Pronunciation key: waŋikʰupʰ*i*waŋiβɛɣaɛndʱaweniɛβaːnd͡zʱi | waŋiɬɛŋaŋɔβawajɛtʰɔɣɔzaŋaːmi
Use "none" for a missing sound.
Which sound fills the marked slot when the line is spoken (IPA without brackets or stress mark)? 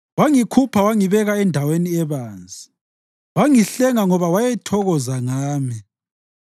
a